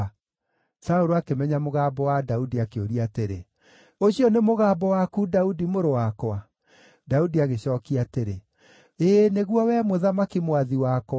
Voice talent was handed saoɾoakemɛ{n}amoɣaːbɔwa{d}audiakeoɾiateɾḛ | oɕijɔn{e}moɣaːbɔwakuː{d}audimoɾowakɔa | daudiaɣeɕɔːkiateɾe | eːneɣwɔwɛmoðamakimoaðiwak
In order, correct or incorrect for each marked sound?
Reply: incorrect, correct, correct, correct

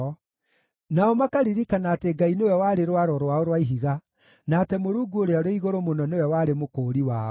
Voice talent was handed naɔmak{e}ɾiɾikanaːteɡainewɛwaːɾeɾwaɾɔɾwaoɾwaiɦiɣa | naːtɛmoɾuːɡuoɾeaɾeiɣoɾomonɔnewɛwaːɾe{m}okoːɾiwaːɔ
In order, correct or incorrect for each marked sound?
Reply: incorrect, correct

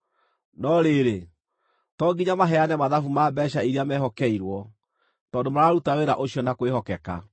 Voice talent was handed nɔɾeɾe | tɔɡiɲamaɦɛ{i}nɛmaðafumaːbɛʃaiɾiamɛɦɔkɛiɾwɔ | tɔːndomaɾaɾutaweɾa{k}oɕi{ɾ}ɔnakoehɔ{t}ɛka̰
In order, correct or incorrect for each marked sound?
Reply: incorrect, incorrect, incorrect, incorrect

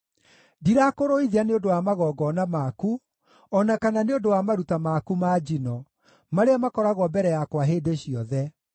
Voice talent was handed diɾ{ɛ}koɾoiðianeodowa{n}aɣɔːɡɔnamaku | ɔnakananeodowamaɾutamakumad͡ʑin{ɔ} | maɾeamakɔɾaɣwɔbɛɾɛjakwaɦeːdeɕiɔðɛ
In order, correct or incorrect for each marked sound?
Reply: incorrect, incorrect, correct

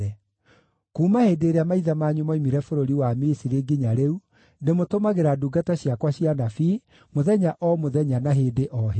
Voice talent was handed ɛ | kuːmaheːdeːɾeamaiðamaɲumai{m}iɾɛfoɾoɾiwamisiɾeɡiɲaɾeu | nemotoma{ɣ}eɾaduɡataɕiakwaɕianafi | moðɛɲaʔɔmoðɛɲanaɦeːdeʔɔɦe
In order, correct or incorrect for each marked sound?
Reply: correct, correct

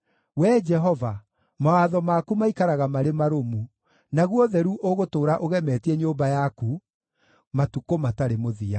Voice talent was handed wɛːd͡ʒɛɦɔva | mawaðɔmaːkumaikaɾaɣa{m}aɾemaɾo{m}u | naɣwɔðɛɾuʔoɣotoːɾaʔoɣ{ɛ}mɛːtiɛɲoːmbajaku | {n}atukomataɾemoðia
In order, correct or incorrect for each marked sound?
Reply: correct, correct, correct, incorrect

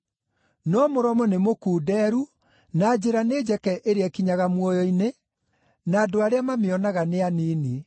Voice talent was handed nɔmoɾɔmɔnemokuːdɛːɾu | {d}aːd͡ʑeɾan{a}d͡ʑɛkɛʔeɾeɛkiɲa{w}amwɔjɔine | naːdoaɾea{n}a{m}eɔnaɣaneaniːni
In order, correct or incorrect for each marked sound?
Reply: incorrect, incorrect, incorrect, incorrect, correct

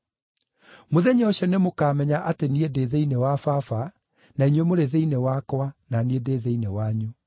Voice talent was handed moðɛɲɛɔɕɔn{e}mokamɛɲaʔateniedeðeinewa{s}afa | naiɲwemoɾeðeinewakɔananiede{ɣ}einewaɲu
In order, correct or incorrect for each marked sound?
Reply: correct, incorrect, incorrect

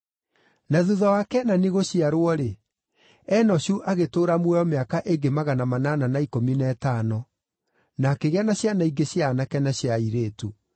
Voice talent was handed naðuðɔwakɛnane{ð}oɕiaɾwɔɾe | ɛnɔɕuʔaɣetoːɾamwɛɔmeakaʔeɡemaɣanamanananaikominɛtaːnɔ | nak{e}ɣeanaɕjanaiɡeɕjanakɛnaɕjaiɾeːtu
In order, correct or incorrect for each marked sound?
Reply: incorrect, correct

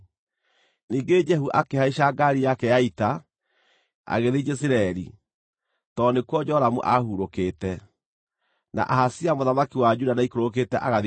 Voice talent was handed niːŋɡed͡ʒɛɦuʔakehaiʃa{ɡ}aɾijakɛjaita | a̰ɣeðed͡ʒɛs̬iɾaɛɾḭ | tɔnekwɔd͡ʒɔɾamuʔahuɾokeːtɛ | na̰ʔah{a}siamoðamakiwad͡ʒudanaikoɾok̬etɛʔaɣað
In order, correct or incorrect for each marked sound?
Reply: correct, correct

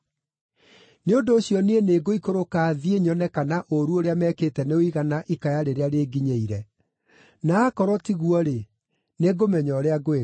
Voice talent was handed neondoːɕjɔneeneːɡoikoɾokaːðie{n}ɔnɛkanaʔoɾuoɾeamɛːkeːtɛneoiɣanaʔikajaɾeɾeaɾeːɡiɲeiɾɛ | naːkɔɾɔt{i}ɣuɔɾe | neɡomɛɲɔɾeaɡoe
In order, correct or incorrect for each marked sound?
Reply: incorrect, correct

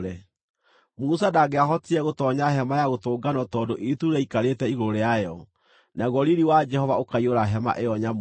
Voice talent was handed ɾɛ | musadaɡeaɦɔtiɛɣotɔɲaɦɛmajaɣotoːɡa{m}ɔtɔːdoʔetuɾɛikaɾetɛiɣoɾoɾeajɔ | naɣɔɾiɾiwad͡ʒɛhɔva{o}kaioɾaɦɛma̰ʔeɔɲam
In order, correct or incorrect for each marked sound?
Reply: incorrect, correct

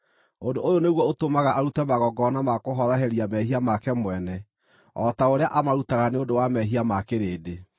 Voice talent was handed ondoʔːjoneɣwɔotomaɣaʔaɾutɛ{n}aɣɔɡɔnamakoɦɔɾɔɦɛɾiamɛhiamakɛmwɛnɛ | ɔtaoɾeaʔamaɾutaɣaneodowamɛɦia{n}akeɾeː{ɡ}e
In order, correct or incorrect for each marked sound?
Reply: incorrect, incorrect, incorrect

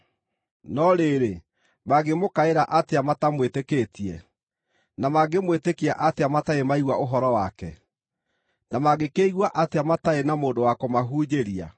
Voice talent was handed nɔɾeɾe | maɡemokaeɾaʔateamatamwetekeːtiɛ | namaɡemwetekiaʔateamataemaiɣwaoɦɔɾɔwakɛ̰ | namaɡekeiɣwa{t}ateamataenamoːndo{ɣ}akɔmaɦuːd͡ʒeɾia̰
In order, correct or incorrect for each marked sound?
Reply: incorrect, incorrect

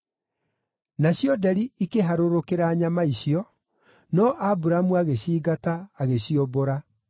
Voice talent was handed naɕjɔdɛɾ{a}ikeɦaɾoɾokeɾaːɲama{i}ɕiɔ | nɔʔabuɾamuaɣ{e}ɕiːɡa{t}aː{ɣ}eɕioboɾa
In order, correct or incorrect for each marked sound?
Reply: incorrect, correct, correct, correct, correct

